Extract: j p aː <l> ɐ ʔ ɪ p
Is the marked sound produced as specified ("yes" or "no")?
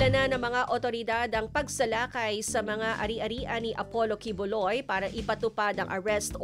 no